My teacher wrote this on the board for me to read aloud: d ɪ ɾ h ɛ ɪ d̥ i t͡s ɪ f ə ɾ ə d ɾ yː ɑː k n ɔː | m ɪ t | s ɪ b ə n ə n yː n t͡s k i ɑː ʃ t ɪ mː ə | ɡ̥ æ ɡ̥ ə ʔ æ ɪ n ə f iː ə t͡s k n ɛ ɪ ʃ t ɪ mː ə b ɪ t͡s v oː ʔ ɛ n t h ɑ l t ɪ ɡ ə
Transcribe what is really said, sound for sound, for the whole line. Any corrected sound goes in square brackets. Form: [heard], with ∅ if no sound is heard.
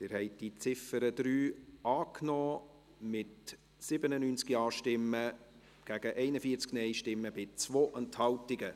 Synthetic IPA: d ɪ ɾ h ɛ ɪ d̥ i t͡s ɪ f ə ɾ ə d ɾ yː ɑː k n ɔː | m ɪ t | s ɪ b ə n ə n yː n t͡s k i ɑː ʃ t ɪ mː ə | ɡ̥ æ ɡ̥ ə ʔ [ɛ] ɪ n ə f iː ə t͡s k n ɛ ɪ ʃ t ɪ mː ə b ɪ t͡s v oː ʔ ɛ n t h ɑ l t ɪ ɡ ə